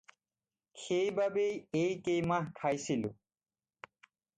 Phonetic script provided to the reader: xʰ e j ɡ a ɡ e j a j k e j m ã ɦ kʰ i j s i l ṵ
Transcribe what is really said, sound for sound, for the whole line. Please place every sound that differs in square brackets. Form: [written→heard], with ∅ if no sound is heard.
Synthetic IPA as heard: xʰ e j [ɡ→b] a [ɡ→b] e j [a→e] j k e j m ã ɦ kʰ [i→a] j s i l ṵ